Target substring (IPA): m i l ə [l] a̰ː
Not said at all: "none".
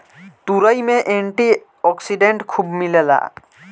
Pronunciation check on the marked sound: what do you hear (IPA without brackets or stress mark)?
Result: l